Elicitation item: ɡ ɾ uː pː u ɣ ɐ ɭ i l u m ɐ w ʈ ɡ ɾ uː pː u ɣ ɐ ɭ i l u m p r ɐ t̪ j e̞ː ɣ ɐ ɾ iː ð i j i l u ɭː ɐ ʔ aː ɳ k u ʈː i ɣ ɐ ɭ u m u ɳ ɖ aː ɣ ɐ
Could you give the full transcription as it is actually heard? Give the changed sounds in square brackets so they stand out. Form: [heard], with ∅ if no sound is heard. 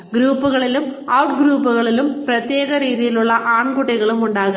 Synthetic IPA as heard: ɡ ɾ uː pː u ɣ ɐ ɭ i l u m ɐ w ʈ ɡ ɾ uː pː u ɣ ɐ ɭ i l u m p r ɐ t̪ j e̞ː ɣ ɐ ɾ iː ð i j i l u ɭː ɐ ʔ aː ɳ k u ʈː i ɣ ɐ ɭ u m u ɳ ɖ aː ɣ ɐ